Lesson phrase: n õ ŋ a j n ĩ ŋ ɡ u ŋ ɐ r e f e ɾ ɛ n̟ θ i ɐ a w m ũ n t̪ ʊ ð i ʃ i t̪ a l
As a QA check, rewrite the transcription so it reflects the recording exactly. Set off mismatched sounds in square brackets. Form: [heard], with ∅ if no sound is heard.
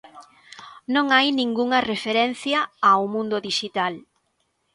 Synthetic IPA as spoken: n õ ŋ a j n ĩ ŋ ɡ u ŋ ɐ r e f e ɾ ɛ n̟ θ [j] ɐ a w m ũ n [d̪] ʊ ð i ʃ i t̪ a l